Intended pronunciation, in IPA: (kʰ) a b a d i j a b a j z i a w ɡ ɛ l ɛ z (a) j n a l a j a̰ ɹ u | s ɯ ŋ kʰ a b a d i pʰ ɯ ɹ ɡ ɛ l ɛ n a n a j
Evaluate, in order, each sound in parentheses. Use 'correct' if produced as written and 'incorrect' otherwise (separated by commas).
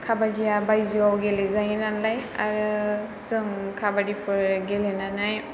correct, correct